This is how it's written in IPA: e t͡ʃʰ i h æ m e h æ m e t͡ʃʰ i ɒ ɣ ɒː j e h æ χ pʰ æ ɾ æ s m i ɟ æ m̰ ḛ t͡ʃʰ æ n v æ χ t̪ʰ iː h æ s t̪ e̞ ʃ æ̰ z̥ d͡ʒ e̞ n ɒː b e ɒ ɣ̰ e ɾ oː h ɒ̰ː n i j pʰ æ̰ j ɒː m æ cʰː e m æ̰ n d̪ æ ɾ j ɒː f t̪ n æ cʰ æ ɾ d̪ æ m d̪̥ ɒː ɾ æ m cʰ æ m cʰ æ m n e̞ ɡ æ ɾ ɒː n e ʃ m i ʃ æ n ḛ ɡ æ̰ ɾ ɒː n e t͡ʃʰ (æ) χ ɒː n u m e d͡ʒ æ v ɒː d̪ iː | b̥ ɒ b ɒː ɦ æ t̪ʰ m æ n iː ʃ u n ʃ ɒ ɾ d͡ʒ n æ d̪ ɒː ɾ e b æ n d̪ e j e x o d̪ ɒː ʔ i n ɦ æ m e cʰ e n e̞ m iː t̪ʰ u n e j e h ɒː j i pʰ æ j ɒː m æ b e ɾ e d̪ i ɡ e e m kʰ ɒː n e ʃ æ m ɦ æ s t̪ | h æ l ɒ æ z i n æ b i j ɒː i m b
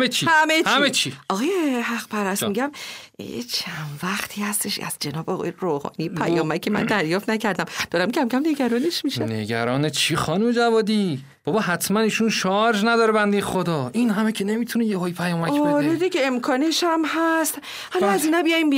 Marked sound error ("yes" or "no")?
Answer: yes